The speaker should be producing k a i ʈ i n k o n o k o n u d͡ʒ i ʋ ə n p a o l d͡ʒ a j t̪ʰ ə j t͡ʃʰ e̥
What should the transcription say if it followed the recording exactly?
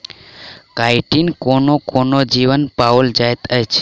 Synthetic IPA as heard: k a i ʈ i n k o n o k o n o d͡ʒ i ʋ ə n p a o l d͡ʒ a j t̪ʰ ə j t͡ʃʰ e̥